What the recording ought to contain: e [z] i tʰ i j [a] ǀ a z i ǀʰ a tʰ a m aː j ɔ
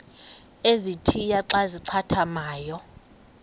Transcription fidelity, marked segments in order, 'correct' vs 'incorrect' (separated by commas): correct, correct